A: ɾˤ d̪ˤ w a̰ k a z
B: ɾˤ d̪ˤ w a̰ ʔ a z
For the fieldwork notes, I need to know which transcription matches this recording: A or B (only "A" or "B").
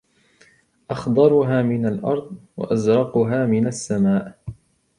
B